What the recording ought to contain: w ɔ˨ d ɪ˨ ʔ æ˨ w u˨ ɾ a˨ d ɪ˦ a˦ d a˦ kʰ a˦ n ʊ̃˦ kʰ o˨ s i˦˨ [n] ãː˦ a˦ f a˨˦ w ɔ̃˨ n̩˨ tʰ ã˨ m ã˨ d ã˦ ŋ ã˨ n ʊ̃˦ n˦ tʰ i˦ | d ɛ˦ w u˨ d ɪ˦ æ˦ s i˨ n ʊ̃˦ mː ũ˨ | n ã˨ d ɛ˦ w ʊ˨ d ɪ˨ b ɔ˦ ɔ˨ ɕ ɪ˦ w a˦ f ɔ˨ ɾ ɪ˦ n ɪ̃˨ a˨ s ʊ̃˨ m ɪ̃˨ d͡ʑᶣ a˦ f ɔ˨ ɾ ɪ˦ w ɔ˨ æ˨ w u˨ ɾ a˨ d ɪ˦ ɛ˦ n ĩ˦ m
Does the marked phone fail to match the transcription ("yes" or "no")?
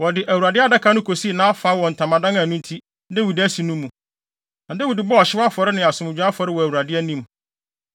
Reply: no